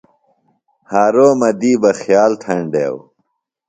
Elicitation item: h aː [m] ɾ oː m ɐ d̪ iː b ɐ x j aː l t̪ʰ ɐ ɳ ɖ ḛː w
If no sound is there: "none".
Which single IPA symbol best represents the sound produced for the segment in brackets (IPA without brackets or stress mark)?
none